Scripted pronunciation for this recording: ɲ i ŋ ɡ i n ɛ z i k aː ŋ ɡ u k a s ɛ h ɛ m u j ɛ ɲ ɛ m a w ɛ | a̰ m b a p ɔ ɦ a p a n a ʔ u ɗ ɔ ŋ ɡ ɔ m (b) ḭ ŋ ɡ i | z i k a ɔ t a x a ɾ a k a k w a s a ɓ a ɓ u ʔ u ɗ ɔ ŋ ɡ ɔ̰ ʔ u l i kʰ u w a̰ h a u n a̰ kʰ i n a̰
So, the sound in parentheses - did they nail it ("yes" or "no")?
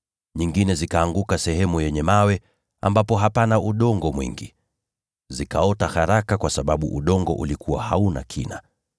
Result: no